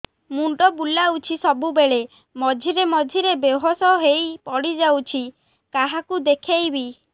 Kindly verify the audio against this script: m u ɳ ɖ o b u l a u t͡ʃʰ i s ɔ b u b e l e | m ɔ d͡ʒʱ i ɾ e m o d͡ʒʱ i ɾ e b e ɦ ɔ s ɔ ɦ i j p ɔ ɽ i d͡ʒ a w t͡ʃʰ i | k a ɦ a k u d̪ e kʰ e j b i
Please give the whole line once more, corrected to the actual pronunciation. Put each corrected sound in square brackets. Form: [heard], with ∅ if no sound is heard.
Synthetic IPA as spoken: m u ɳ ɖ [ɔ] b u l a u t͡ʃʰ i s ɔ b u b e [ɭ] e | m ɔ d͡ʒʱ i ɾ e m [ɔ] d͡ʒʱ i ɾ e b e ɦ ɔ s ɔ ɦ [e] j p ɔ ɽ i d͡ʒ a w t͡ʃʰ i | k a ɦ a k u d̪ e kʰ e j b i